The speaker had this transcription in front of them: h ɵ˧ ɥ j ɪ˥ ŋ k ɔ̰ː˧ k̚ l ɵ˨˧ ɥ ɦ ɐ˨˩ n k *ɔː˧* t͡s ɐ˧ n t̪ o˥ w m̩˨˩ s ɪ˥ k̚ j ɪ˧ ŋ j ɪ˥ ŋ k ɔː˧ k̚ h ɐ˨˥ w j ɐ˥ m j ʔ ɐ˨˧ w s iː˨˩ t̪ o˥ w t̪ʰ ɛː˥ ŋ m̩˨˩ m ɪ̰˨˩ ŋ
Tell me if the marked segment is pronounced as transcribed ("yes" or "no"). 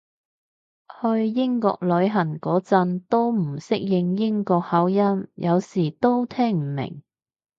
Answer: no